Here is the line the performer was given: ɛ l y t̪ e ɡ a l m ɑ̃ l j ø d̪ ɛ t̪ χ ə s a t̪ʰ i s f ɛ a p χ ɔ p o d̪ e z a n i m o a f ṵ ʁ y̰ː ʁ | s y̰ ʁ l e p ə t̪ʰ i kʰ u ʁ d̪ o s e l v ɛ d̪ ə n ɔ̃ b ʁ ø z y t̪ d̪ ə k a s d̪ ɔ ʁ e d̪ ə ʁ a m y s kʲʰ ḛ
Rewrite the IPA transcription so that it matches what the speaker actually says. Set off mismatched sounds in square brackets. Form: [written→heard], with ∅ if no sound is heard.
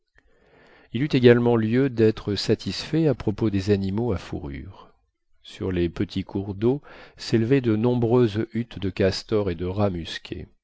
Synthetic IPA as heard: [ɛ→i] l y t̪ e ɡ a l m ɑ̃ l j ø d̪ ɛ t̪ χ ə s a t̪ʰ i s f ɛ a p χ ɔ p o d̪ e z a n i m o a f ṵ ʁ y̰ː ʁ | s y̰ ʁ l e p ə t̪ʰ i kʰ u ʁ d̪ o s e l v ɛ d̪ ə n ɔ̃ b ʁ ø z y t̪ d̪ ə k a s [d̪→t̪] ɔ ʁ e d̪ ə ʁ a m y s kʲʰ ḛ

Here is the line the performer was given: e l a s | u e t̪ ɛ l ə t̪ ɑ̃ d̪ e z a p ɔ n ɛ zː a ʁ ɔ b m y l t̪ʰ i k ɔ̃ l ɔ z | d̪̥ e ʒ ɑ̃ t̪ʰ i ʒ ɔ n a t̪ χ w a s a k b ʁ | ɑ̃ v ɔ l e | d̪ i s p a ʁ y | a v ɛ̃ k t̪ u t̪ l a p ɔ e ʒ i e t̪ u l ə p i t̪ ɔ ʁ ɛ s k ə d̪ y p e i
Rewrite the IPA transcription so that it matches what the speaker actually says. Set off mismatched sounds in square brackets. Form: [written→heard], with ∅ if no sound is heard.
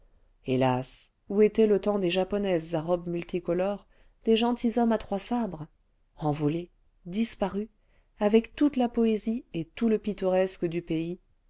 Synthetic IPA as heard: e l a s | u e t̪ ɛ l ə t̪ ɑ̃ d̪ e [z→ʒ] a p ɔ n ɛ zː a ʁ ɔ b m y l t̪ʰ i k [ɔ̃→ɔ] l ɔ [z→ʁ] | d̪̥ e ʒ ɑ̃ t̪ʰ i [ʒ→z] ɔ [n→m] a t̪ χ w a s a [k→∅] b ʁ | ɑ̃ v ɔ l e | d̪ i s p a ʁ y | a v [ɛ̃→ɛ] k t̪ u t̪ l a p ɔ e [ʒ→z] i e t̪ u l ə p i t̪ ɔ ʁ ɛ s k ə d̪ y p e i

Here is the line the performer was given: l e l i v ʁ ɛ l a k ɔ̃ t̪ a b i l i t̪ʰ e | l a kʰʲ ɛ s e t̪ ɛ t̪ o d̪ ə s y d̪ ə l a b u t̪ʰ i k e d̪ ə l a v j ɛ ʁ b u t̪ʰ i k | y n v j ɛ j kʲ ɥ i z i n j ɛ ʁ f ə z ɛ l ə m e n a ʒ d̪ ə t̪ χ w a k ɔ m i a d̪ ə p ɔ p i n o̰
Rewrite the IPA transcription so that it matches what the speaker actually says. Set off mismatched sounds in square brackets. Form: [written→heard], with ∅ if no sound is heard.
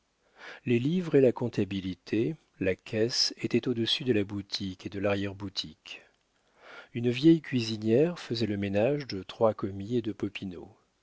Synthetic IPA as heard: l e l i v ʁ [ɛ→e] l a k ɔ̃ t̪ a b i l i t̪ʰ e | l a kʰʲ ɛ s e t̪ ɛ t̪ o d̪ ə s y d̪ ə l a b u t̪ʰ i k e d̪ ə l a [v→ʁ] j ɛ ʁ b u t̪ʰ i k | y n v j ɛ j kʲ ɥ i z i n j ɛ ʁ f ə z ɛ l ə m e n a ʒ d̪ ə t̪ χ w a k ɔ m i [a→e] d̪ ə p ɔ p i n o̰

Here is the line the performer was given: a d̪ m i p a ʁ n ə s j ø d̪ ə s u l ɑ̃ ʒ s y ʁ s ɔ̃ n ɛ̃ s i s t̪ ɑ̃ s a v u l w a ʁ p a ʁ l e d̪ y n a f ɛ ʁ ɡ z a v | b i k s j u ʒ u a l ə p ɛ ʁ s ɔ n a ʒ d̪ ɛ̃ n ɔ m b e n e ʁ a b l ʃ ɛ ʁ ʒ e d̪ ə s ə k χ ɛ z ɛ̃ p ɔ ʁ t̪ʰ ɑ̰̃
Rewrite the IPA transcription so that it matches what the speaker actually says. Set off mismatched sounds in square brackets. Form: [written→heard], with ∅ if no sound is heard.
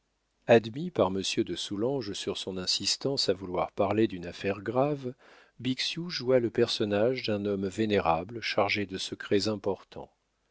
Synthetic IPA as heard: a d̪ m i p a ʁ [n→m] ə s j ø d̪ ə s u l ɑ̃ ʒ s y ʁ s ɔ̃ n ɛ̃ s i s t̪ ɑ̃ s a v u l w a ʁ p a ʁ l e d̪ y n a f ɛ ʁ ɡ [z→ʁ] a v | b i k s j u ʒ u a l ə p ɛ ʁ s ɔ n a ʒ d̪ ɛ̃ n ɔ m [b→v] e n e ʁ a b l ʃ [ɛ→a] ʁ ʒ e d̪ ə s ə k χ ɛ z ɛ̃ p ɔ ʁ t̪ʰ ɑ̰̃

